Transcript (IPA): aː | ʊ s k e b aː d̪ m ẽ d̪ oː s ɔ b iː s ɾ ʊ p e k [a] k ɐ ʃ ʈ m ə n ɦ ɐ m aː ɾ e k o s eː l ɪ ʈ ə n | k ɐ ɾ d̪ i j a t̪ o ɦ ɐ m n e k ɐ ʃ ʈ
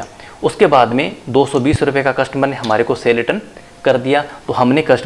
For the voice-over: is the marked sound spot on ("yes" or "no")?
yes